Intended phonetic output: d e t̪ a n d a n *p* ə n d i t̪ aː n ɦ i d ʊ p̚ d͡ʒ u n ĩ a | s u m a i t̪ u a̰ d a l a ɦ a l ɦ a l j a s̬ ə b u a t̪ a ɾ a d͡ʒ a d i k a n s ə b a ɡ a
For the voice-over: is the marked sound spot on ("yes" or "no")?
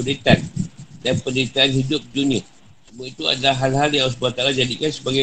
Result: yes